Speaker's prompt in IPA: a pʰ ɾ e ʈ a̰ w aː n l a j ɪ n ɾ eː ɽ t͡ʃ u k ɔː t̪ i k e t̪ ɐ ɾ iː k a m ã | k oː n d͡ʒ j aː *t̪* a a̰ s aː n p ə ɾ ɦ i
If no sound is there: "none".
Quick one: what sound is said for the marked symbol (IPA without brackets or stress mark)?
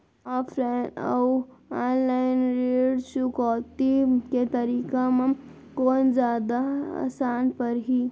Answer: d̪